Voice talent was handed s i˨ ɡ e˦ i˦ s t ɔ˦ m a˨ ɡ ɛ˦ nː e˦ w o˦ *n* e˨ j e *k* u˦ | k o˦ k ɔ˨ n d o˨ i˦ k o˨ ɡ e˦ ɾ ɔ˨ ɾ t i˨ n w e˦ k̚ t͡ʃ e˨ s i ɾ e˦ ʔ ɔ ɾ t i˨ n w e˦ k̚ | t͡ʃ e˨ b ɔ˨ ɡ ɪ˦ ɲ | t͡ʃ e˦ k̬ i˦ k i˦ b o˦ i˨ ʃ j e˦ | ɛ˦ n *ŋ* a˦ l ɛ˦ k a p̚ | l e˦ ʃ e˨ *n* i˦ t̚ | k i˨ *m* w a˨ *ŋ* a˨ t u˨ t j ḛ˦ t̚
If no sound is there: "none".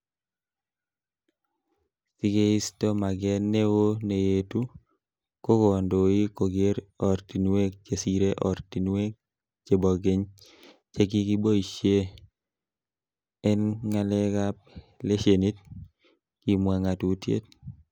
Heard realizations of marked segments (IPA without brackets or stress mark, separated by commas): n, t, ŋ, n, m, ŋ